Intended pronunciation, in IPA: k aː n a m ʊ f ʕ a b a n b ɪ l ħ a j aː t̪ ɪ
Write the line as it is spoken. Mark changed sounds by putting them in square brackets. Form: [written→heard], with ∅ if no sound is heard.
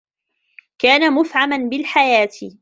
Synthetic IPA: k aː n a m ʊ f ʕ a [b→m] a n b ɪ l ħ a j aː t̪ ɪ

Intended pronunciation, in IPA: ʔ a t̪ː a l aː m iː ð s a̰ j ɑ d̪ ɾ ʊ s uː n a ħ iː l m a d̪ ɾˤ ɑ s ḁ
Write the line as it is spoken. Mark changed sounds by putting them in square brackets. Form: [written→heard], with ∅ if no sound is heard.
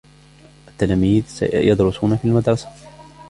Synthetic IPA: ʔ a t̪ː a l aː m iː ð s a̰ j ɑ d̪ ɾ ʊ s uː n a [ħ→f] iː l m a d̪ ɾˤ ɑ s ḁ

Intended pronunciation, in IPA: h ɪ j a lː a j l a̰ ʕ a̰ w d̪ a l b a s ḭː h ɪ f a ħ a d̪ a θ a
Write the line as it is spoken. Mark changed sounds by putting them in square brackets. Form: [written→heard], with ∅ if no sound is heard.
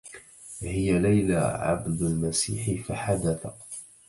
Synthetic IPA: h ɪ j a [lː→l] a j l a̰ ʕ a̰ [w→b] d̪ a l [b→m] a s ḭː [h→ħ] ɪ f a ħ a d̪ a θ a

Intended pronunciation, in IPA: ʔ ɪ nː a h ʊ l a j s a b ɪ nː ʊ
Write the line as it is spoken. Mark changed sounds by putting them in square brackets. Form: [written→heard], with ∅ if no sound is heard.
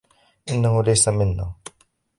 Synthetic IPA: ʔ ɪ nː a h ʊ l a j s a [b→m] ɪ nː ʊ

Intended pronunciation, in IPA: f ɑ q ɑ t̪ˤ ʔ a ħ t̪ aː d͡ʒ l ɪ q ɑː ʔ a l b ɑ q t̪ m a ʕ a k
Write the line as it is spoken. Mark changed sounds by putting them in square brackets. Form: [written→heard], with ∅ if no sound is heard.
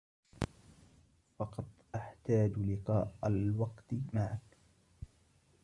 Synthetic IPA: f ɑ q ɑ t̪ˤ ʔ a ħ t̪ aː d͡ʒ l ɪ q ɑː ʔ a l [b→w] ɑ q t̪ m a ʕ a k

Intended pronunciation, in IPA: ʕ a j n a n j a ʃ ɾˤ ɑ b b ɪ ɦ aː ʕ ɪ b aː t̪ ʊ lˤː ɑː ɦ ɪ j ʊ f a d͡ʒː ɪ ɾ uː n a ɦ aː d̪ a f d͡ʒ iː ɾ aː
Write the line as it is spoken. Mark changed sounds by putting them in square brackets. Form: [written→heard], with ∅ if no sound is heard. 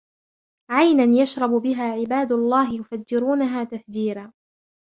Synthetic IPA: ʕ a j n a n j a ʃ ɾˤ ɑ b b ɪ ɦ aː ʕ ɪ b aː [t̪→d̪] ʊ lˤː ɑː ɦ ɪ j ʊ f a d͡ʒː ɪ ɾ uː n a ɦ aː [d̪→t̪] a f d͡ʒ iː ɾ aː

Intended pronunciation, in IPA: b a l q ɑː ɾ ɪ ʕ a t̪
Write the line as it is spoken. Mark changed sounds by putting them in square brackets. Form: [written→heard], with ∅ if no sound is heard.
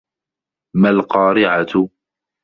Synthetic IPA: [b→m] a l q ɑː ɾ ɪ ʕ a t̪

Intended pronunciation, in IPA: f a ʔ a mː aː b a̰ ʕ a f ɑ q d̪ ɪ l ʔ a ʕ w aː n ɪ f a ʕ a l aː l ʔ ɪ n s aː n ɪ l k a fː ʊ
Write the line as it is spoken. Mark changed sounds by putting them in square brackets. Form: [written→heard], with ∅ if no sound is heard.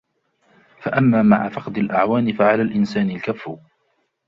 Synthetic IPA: f a ʔ a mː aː [b→m] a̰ ʕ a f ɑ q d̪ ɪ l ʔ a ʕ w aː n ɪ f a ʕ a l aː l ʔ ɪ n s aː n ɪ l k a fː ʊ

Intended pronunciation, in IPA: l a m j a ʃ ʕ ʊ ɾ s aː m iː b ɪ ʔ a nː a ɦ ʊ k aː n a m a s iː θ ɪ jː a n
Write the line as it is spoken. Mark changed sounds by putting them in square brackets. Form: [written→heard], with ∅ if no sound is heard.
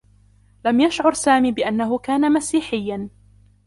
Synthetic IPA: l a m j a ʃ ʕ ʊ ɾ s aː m iː b ɪ ʔ a nː a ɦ ʊ k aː n a m a s iː [θ→ħ] ɪ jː a n

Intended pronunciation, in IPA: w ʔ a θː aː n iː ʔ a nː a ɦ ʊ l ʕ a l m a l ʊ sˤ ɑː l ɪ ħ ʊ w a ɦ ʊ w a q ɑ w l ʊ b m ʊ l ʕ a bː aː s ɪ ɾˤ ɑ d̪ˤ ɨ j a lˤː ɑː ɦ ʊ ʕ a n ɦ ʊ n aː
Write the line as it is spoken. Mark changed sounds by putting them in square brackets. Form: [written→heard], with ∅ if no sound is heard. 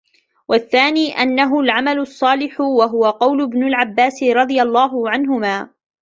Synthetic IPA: w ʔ a θː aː n iː ʔ a nː a ɦ ʊ l ʕ a [l→∅] m a l ʊ [sˤ→sˤː] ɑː l ɪ ħ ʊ w a ɦ ʊ w a q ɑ w l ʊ b [m→n] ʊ l ʕ a bː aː s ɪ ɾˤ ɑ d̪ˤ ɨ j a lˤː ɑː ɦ ʊ ʕ a n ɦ ʊ [n→m] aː

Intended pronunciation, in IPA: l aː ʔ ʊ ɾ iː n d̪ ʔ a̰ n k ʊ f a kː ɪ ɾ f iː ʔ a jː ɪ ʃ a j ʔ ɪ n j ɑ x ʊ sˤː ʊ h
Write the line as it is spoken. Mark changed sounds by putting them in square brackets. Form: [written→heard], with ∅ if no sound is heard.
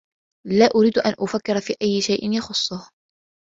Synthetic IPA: l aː ʔ ʊ ɾ iː [n→∅] d̪ ʔ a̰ n [k→ʔ] ʊ f a kː ɪ ɾ f iː ʔ a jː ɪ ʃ a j ʔ ɪ n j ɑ x ʊ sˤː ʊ h

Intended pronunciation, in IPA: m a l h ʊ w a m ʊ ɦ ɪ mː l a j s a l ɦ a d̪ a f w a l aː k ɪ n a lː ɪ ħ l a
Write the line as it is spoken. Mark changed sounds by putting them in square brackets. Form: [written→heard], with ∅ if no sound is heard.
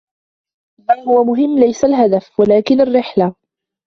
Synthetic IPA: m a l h ʊ w a m ʊ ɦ ɪ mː l a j s a l ɦ a d̪ a f w a l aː k ɪ n a [lː→rː] ɪ ħ l a

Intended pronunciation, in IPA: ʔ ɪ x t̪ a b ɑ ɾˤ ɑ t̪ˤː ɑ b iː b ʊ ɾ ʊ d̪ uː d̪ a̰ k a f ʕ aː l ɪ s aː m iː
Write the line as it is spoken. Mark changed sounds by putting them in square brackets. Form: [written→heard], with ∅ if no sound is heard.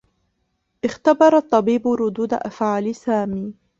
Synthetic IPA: ʔ ɪ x t̪ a b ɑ ɾˤ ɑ t̪ˤː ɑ b iː b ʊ ɾ ʊ d̪ uː d̪ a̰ [k→ʔ] a f ʕ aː l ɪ s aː m iː

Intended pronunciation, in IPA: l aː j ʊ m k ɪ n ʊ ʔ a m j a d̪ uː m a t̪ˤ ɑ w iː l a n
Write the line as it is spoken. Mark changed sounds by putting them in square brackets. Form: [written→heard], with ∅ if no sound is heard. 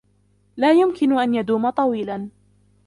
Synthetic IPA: l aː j ʊ m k ɪ n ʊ ʔ a [m→n] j a d̪ uː m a t̪ˤ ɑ w iː l a n

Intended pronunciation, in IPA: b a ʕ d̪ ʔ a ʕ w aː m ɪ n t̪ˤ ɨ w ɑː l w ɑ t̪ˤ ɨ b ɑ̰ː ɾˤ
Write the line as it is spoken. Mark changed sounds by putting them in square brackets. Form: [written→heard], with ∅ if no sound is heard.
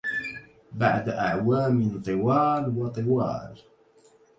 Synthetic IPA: b a ʕ d̪ ʔ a ʕ w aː m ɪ n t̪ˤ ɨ w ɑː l w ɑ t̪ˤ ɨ [b→w] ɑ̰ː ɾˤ

